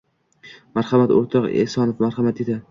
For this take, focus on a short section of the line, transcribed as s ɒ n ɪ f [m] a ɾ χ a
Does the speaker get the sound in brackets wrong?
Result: no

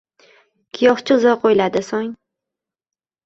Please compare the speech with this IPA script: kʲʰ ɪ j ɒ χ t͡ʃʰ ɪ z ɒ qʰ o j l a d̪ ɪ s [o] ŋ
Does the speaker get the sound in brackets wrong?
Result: yes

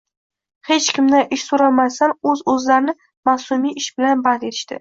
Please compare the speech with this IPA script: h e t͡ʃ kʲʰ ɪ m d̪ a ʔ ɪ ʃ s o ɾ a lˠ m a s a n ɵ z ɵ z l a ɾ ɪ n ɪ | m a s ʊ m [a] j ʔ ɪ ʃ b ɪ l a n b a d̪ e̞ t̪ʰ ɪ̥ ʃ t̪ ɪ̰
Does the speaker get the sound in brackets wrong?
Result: yes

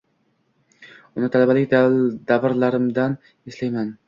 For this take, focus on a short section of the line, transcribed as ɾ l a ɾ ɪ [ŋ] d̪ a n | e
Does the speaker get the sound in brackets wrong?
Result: yes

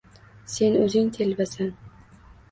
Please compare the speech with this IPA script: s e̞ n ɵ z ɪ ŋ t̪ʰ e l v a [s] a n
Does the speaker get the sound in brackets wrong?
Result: no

